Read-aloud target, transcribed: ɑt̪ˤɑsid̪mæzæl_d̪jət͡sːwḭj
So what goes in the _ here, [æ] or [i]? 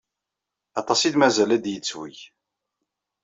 æ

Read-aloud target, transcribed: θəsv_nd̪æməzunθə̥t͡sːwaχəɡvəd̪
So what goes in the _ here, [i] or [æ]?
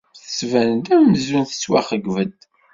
æ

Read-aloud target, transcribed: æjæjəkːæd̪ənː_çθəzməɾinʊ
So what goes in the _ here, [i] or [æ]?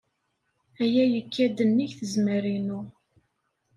i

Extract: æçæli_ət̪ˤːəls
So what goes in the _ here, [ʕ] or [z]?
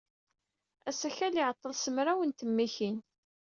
ʕ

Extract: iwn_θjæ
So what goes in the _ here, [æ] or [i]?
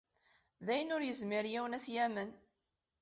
æ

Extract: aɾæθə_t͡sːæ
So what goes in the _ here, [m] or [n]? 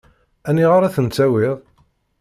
n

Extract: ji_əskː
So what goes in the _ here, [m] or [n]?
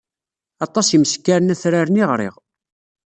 m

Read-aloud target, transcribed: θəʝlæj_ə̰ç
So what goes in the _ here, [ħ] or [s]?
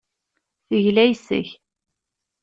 s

